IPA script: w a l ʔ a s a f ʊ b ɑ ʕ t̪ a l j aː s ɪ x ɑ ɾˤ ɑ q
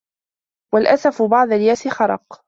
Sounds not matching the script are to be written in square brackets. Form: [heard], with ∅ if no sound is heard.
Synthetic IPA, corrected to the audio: w a l ʔ a s a f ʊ b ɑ ʕ [d̪] a l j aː s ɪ x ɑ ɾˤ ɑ q